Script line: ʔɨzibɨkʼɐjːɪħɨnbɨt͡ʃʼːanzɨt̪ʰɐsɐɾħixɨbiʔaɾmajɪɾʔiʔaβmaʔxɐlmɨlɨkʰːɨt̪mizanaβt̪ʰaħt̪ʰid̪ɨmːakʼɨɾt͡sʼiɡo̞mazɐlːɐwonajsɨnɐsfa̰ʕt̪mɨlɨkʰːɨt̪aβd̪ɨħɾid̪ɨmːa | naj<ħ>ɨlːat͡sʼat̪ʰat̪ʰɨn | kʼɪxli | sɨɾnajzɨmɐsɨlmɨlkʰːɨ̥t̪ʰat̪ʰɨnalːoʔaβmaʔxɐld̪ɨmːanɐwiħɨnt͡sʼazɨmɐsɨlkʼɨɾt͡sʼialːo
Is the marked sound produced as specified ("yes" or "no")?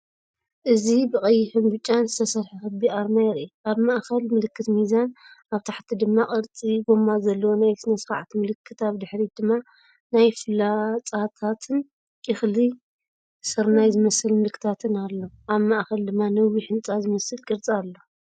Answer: no